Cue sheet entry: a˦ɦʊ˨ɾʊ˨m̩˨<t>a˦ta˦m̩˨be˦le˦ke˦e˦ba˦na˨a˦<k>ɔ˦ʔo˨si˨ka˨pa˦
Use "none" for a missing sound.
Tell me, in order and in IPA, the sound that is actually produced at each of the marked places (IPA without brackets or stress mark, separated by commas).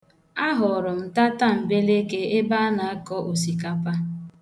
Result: t, k